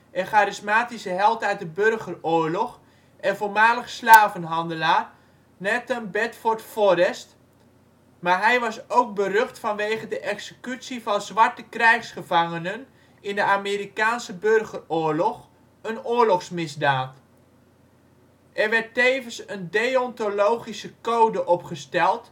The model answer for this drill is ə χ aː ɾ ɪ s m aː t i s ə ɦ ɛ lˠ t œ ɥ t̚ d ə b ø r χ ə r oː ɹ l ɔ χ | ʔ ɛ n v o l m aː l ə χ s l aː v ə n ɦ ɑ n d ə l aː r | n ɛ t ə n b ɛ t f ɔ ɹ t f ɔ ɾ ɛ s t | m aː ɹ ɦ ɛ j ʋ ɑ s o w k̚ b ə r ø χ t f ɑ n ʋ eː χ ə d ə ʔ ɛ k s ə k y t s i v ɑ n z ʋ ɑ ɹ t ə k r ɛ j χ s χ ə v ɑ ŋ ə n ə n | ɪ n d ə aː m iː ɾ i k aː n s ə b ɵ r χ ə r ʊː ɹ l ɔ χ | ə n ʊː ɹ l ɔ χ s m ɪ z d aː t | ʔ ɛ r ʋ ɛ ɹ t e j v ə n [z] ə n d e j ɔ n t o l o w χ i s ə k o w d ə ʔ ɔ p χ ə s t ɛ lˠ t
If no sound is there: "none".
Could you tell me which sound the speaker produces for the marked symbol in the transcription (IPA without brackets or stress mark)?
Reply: s